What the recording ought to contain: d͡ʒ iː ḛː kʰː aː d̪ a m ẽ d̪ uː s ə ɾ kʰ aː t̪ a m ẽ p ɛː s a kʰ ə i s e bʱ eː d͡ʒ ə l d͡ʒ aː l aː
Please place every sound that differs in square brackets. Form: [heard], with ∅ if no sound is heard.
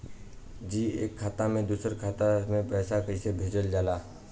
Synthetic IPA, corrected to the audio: d͡ʒ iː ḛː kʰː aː [t̪] a m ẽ d̪ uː s ə ɾ kʰ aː t̪ a m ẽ p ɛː s a [k] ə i s e bʱ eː d͡ʒ ə l d͡ʒ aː l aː